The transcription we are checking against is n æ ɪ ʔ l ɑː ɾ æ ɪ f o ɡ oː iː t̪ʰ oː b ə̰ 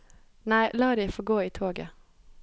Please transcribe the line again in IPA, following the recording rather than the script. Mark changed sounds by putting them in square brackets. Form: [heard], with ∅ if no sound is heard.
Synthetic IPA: n æ ɪ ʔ l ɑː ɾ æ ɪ f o ɡ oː iː t̪ʰ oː [ɡ] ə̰